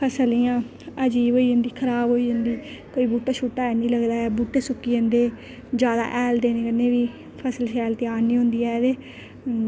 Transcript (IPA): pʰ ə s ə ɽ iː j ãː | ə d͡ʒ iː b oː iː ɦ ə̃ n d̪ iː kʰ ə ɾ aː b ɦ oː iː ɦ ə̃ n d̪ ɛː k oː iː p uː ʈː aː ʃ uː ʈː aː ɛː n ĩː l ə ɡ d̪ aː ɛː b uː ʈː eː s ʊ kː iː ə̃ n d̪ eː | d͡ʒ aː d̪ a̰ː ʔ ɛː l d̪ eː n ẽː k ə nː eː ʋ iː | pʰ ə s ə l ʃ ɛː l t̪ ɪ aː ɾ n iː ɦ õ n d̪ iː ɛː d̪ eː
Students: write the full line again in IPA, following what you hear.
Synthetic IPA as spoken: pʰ ə s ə l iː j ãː | ə d͡ʒ iː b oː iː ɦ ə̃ n d̪ iː kʰ ə ɾ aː b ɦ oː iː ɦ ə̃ n d̪ iː k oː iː b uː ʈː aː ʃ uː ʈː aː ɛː n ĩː l ə ɡ d̪ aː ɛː b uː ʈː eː s ʊ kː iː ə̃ n d̪ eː | d͡ʒ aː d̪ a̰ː ʔ ɛː l d̪ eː n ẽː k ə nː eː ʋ iː | pʰ ə s ə l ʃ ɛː l t̪ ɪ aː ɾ n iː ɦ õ n d̪ iː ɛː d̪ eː